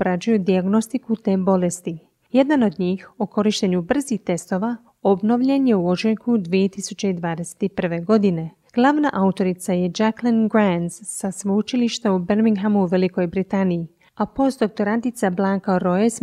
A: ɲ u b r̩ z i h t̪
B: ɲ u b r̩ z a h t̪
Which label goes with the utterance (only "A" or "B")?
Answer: A